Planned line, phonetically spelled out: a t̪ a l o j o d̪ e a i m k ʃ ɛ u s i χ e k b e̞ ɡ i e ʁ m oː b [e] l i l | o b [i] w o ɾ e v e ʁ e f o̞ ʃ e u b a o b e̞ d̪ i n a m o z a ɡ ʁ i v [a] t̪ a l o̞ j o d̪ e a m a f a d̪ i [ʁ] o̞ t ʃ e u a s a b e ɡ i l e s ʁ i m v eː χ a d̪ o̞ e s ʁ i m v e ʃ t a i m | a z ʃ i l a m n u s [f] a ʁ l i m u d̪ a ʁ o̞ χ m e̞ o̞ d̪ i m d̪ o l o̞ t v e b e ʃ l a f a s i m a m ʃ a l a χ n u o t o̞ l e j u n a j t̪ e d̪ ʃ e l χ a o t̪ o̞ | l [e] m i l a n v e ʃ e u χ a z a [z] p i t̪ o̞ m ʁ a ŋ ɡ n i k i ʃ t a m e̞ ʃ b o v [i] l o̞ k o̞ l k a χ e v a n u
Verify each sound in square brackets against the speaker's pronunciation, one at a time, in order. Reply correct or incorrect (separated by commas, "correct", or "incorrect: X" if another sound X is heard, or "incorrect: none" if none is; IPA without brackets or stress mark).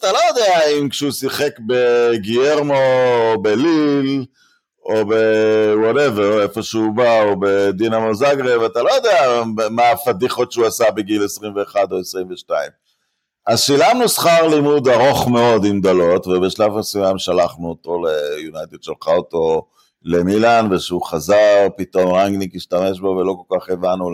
correct, incorrect: e, correct, incorrect: χ, incorrect: χ, correct, incorrect: ʁ, incorrect: e